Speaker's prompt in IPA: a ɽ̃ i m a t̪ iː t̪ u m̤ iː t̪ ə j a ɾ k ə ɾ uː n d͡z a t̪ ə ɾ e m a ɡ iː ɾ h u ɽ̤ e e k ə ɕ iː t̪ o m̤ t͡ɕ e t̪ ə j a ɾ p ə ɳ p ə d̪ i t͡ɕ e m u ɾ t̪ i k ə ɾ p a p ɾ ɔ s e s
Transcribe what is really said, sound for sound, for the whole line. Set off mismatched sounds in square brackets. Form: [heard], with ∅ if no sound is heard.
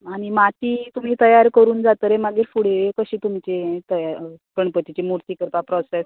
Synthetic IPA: a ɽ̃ i m a t̪ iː t̪ u m̤ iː t̪ ə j a ɾ k ə ɾ uː n d͡z a t̪ ə ɾ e m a ɡ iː ɾ [f] u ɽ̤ e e k ə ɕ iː t̪ [u] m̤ t͡ɕ e t̪ ə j a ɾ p ə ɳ p ə [t̪] i t͡ɕ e m u ɾ t̪ i k ə ɾ p a p ɾ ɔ s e s